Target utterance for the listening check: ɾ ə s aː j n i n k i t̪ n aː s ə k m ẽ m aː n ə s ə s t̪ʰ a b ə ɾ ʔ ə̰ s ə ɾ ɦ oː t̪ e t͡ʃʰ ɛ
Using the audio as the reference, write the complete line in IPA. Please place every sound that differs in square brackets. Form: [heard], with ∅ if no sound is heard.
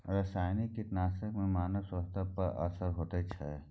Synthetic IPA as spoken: ɾ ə s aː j n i [∅] k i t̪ n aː s ə k m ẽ m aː n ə s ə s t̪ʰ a [p] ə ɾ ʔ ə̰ s ə ɾ ɦ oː t̪ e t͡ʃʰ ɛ